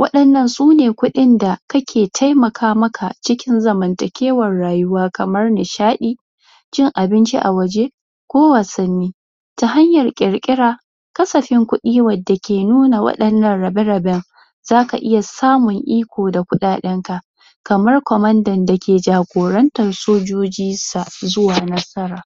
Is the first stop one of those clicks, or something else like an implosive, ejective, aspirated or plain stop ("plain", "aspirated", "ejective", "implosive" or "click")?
implosive